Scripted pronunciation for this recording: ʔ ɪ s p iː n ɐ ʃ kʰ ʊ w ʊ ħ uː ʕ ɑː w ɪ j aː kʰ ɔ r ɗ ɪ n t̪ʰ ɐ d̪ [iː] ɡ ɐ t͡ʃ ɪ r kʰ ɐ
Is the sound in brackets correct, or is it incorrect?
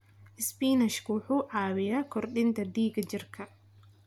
correct